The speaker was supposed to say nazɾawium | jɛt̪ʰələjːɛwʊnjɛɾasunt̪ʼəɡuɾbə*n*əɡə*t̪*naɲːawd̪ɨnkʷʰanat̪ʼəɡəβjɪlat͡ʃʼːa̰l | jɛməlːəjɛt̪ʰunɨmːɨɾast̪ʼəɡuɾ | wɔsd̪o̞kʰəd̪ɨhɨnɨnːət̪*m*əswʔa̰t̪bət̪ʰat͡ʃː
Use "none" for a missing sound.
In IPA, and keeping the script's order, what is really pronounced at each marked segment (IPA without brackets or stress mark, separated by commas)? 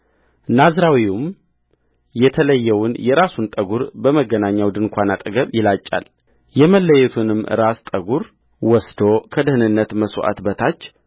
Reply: m, none, m